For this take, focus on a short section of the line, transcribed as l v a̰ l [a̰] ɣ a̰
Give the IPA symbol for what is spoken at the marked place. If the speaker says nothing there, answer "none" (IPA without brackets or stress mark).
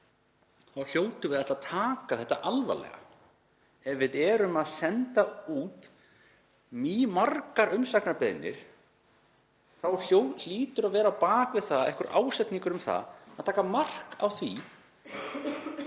ɛ̰